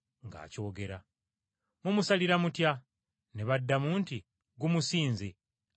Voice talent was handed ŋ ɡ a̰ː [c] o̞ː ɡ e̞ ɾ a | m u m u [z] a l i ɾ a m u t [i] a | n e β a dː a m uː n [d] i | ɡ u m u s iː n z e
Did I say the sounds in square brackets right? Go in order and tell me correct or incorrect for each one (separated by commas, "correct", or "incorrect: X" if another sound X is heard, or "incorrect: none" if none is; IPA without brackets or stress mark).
correct, incorrect: s, incorrect: j, incorrect: t